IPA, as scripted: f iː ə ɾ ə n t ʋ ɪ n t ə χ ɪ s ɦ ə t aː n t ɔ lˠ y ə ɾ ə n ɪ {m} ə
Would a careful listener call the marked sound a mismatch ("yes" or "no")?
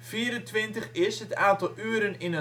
yes